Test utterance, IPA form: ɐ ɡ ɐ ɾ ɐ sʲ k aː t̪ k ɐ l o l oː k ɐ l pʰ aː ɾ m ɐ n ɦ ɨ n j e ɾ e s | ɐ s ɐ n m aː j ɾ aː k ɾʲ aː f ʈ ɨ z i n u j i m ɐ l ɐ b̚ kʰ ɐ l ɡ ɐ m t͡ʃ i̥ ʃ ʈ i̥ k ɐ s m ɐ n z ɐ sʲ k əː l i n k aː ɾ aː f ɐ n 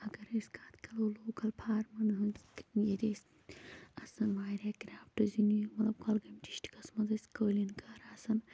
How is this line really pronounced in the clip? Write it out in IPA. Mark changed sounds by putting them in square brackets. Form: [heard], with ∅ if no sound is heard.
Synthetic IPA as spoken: ɐ ɡ ɐ ɾ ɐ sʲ k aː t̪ k ɐ l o l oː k ɐ l pʰ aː ɾ m ɐ n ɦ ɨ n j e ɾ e s | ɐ s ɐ n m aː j ɾ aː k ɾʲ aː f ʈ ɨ z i n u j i m ɐ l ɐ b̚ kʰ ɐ l ɡ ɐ m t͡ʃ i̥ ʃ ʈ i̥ k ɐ s m ɐ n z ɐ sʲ k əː l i n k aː ɾ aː [s] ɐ n